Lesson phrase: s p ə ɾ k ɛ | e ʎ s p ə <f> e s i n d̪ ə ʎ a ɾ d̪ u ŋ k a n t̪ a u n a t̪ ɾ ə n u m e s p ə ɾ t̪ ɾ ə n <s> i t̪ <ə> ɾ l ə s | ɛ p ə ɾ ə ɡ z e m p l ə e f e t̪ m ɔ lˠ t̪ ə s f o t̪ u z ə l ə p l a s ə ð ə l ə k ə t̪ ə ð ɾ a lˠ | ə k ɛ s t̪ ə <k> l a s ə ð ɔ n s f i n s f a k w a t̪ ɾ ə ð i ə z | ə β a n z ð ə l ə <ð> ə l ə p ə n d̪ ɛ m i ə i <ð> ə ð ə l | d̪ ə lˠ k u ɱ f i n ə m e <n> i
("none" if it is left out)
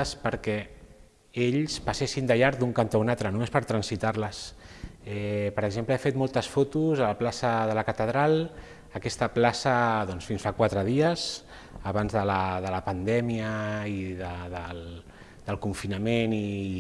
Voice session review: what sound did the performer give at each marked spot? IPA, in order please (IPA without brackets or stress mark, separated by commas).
s, s, a, p, ð, ð, n